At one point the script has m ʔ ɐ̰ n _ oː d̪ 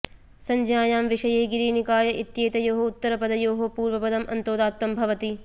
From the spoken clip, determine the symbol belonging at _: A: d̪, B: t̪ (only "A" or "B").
B